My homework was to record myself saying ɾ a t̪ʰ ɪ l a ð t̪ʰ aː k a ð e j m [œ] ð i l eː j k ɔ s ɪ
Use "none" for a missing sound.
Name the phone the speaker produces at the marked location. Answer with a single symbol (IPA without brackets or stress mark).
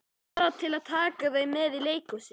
ɛ